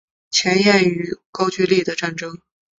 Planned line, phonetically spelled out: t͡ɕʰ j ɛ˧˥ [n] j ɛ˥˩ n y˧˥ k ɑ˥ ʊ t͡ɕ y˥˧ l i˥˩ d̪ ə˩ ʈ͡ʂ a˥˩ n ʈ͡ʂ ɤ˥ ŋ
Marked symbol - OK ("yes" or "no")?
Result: yes